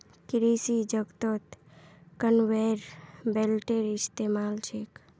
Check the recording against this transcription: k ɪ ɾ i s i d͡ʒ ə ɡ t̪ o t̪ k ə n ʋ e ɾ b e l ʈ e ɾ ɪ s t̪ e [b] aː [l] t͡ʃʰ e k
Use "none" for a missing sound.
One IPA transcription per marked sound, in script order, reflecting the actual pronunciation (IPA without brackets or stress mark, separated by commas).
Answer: m, l